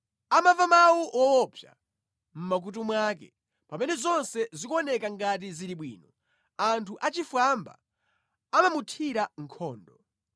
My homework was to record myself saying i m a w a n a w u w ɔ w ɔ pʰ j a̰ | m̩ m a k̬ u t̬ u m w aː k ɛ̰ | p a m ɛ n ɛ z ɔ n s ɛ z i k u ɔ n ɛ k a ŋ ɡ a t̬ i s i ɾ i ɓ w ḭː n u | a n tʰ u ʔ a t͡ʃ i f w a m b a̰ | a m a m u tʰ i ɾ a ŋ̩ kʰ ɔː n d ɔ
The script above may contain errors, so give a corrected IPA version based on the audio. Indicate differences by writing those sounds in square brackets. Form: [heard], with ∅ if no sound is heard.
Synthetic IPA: [a] m a [v] a [m] a w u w ɔ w ɔ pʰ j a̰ | m̩ m a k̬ u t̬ u m w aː k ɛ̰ | p a m ɛ n ɛ z ɔ n s ɛ z i k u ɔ n ɛ k a ŋ ɡ a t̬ i [z] i ɾ i ɓ w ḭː n [ɔ] | a n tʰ u ʔ a t͡ʃ i f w a m b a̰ | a m a m u tʰ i ɾ a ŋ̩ kʰ ɔː n d ɔ